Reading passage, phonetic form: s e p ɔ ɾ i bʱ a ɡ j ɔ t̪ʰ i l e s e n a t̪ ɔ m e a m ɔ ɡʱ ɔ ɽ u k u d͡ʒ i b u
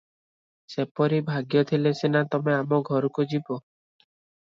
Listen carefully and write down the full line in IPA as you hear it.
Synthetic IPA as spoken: s e p ɔ ɾ i bʱ a ɡ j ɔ t̪ʰ i l e s e n a t̪ ɔ m e a m ɔ ɡʱ ɔ ɾ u k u d͡ʒ i b ɔ